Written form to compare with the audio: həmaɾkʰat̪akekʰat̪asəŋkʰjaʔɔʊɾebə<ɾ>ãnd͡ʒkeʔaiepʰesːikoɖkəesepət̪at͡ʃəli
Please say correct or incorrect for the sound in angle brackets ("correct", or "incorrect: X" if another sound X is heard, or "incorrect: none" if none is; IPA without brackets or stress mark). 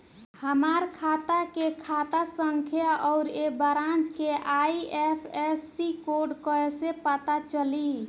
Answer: correct